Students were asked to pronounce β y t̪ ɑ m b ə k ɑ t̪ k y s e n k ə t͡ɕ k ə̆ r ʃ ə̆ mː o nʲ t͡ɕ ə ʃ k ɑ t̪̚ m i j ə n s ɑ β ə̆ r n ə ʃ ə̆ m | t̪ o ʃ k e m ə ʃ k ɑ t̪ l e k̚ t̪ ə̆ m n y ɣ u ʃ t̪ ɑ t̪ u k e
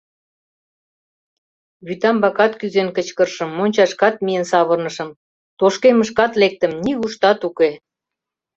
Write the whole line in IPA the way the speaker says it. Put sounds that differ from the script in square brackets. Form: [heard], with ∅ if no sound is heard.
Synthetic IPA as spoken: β y t̪ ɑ m b [ɑ] k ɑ t̪ k y [z] e n k ə t͡ɕ k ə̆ r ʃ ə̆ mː o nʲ t͡ɕ [ɑ] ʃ k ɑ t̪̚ m i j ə n s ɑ β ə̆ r n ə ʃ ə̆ m | t̪ o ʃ k e m ə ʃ k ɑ t̪ l e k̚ t̪ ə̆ m n [i] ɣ u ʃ t̪ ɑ t̪ u k e

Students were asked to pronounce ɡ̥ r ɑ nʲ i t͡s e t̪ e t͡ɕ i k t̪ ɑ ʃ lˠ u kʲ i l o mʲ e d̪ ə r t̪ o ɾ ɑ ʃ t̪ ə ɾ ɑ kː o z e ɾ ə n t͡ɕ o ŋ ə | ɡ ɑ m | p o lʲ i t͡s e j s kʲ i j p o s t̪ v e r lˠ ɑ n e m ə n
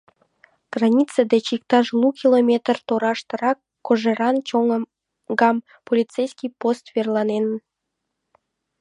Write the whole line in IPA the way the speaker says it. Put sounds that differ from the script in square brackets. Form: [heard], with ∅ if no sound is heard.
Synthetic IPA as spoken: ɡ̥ r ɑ nʲ i t͡s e [d̪] e t͡ɕ i k t̪ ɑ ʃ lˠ u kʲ i l o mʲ e [t̪] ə r t̪ o ɾ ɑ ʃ t̪ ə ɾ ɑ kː o [ʒ] e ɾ [ɑ] n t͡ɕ o ŋ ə | ɡ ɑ m | p o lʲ i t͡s e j s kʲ i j p o s t̪ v e r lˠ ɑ n e [n] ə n

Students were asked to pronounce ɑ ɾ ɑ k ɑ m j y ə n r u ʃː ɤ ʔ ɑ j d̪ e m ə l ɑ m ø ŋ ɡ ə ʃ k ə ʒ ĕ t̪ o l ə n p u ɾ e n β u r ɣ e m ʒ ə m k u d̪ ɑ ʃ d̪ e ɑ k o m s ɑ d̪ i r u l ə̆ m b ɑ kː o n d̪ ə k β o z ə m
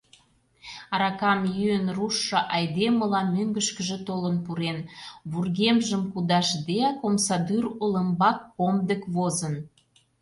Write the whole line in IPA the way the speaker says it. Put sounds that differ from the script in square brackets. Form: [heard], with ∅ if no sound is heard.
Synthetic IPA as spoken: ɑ ɾ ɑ k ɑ m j y ə n r u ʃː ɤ ʔ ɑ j d̪ e m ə l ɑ m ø ŋ ɡ ə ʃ k ə ʒ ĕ t̪ o l ə n p u ɾ e n β u r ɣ e m ʒ ə m k u d̪ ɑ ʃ d̪ e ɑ k o m s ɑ d̪ [y] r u l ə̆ m b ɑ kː o [m] d̪ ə k β o z ə [n]

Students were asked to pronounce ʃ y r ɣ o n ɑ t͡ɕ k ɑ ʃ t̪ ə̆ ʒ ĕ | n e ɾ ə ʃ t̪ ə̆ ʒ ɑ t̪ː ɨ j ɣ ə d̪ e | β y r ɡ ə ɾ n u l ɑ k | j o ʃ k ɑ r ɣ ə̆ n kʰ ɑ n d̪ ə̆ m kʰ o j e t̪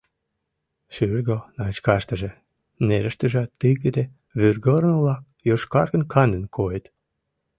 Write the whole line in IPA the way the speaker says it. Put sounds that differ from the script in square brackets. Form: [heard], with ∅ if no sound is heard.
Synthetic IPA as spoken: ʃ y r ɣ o n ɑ t͡ɕ k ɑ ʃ t̪ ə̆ ʒ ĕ | n e ɾ ə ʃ t̪ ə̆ ʒ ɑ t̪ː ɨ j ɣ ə d̪ e | β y r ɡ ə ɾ n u l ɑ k | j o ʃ k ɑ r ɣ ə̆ n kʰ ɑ n d̪ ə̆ [n] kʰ o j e t̪

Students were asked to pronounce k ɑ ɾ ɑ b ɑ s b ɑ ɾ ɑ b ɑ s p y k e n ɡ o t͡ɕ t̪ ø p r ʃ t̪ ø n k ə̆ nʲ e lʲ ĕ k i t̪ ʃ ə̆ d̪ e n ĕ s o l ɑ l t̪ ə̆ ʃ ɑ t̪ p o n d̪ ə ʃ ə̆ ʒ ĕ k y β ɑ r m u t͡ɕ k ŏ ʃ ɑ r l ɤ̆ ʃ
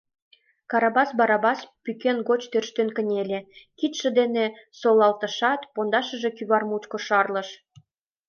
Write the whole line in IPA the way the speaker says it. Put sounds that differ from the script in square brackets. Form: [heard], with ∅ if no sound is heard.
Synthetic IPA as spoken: k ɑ ɾ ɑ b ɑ s b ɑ ɾ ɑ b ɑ s p y k e n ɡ o t͡ɕ t̪ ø [∅] r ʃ t̪ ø n k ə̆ nʲ e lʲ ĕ k i t̪ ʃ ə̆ d̪ e n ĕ s o l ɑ l t̪ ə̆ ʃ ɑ t̪ p o n d̪ [ɑ] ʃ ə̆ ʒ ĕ k y β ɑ r m u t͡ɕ k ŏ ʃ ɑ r l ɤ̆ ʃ

